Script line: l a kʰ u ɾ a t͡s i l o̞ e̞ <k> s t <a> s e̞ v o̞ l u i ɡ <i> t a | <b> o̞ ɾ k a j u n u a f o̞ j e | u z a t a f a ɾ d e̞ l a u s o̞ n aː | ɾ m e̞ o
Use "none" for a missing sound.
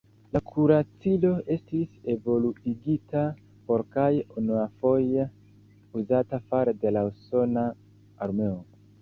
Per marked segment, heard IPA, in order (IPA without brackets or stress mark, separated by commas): none, i, i, p